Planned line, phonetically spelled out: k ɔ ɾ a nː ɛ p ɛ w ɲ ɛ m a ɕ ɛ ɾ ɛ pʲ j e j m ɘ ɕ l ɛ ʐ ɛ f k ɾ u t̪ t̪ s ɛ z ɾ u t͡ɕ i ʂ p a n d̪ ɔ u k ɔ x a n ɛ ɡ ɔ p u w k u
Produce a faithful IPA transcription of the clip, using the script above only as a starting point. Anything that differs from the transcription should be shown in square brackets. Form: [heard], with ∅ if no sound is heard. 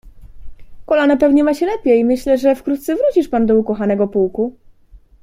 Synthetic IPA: k ɔ [l] a [n] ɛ p ɛ [v] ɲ ɛ m a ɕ ɛ [l] ɛ pʲ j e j m ɘ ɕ l ɛ ʐ ɛ f k ɾ u t̪ t̪ s ɛ [v] ɾ u t͡ɕ i ʂ p a n d̪ ɔ u k ɔ x a n ɛ ɡ ɔ p u w k u